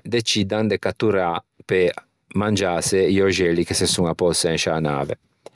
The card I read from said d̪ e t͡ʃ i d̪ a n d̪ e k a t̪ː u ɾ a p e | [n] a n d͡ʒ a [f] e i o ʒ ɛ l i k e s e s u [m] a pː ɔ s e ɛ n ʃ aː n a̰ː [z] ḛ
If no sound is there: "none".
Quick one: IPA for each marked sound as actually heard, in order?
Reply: m, s, ŋ, v

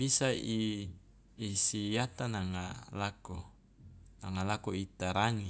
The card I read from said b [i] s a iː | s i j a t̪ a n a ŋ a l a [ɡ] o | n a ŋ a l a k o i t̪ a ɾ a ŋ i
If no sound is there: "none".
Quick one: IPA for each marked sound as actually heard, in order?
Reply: i, k

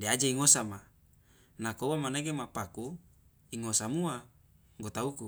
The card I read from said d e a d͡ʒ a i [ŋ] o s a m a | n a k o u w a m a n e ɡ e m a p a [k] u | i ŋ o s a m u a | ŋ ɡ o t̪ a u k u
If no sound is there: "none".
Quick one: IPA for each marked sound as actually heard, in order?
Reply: ŋ, k

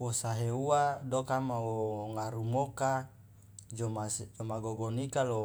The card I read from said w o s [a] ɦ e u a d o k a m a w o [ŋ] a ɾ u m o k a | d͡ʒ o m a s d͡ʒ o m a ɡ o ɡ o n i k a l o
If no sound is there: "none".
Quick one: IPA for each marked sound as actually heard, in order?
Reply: a, ŋ

